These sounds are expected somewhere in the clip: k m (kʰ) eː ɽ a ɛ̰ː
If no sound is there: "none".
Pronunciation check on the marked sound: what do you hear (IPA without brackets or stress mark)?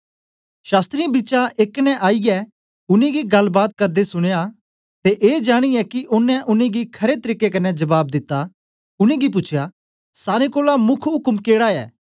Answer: k